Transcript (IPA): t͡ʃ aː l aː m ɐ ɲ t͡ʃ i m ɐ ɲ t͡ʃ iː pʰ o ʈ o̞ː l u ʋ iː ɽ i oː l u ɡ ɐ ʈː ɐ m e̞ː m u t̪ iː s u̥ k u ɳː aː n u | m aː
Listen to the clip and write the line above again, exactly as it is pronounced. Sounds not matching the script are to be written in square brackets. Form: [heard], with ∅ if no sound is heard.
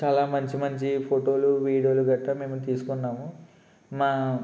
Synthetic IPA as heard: t͡ʃ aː l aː m ɐ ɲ t͡ʃ i m ɐ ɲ t͡ʃ [i] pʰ o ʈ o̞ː l u ʋ iː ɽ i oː l u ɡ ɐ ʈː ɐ m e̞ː m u t̪ iː s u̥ k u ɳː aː [m] u | m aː